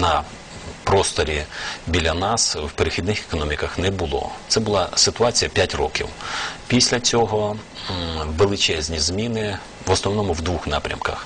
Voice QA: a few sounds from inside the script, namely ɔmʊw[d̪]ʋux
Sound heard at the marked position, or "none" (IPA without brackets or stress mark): d̪